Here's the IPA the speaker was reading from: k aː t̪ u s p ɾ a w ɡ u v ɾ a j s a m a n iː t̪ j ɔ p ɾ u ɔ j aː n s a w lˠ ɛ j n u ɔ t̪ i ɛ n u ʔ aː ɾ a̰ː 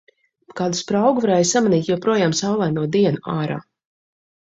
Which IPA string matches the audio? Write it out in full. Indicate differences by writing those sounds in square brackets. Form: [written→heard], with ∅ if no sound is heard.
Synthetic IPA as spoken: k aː [t̪→d̪] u s p ɾ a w ɡ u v ɾ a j s a m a n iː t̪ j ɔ p ɾ u ɔ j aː [n→m] s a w lˠ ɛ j n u ɔ [t̪→d̪] i ɛ n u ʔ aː ɾ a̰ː